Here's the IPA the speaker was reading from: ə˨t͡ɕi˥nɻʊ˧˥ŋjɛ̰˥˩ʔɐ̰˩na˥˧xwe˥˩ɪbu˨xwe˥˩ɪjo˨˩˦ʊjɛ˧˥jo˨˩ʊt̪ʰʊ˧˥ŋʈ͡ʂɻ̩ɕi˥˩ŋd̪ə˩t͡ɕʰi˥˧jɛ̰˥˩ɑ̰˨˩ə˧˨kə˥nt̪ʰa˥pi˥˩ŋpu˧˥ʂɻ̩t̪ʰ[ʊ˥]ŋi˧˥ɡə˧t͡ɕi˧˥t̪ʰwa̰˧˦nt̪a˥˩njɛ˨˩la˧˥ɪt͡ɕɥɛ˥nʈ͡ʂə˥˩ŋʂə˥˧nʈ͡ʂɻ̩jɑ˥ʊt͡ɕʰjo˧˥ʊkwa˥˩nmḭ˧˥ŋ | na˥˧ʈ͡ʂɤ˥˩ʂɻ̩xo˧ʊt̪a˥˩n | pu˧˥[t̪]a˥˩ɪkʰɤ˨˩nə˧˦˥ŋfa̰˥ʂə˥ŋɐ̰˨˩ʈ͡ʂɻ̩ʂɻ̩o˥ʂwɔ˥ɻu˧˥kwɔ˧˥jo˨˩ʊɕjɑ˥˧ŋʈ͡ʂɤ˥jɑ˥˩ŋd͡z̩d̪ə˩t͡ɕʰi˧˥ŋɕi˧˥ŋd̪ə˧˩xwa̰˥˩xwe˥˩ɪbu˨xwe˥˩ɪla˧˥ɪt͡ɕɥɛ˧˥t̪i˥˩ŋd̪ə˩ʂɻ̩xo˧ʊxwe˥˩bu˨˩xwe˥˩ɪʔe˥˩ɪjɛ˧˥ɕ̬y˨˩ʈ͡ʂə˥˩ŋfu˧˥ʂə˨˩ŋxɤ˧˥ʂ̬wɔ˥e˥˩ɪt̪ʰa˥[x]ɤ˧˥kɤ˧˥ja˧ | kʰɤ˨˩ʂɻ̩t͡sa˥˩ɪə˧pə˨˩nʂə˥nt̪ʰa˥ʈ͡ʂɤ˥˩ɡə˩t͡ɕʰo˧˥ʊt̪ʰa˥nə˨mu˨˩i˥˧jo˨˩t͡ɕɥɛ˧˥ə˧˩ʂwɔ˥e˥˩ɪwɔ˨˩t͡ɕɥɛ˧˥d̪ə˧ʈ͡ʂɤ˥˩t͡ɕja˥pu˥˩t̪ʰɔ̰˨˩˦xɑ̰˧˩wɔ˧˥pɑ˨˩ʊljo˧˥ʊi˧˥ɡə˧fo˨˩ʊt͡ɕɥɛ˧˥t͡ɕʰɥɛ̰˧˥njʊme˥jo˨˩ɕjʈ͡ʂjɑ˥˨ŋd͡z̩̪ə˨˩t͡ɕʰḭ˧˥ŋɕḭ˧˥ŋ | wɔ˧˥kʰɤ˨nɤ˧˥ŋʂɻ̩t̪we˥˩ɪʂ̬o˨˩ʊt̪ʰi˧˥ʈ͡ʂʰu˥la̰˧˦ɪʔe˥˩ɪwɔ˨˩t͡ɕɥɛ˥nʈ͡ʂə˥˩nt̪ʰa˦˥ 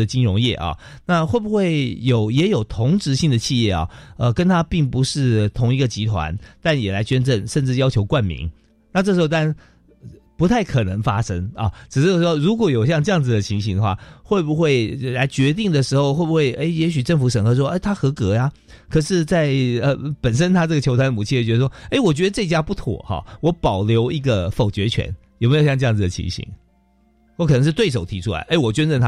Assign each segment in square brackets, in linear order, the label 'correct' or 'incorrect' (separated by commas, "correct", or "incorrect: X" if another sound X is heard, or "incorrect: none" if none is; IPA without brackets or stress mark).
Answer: incorrect: ʊ˧˥, incorrect: t̪ʰ, correct